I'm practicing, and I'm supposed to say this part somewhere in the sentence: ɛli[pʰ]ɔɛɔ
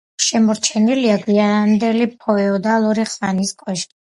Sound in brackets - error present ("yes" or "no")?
no